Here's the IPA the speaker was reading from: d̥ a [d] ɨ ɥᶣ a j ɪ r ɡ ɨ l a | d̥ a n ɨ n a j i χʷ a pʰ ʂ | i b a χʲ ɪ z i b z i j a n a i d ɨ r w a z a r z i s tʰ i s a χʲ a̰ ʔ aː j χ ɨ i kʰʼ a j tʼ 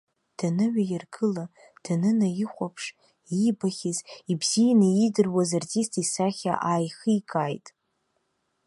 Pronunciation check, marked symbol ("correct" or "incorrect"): incorrect